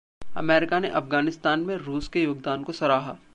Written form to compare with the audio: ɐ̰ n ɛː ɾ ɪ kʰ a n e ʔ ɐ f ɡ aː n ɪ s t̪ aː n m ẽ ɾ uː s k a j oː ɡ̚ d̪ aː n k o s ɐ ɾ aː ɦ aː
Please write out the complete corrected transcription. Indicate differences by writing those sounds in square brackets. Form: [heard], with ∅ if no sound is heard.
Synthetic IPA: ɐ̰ [m] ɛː ɾ ɪ [k] a n e ʔ ɐ f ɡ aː n ɪ s t̪ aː n m ẽ ɾ uː s k [e] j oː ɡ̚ d̪ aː n k o s ɐ ɾ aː ɦ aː